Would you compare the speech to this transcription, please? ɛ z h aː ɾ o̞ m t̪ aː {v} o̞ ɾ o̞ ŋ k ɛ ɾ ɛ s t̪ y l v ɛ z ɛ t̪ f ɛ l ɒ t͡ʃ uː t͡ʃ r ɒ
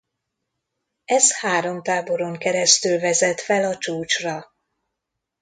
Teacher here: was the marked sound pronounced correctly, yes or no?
no